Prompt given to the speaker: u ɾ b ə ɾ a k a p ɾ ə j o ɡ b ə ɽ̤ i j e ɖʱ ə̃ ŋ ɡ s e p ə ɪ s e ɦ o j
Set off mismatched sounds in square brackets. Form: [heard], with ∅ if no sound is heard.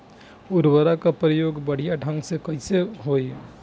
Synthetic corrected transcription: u ɾ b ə ɾ a k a p ɾ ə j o ɡ b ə ɽ̤ i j [a] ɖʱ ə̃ ŋ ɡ s e [k] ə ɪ s e ɦ o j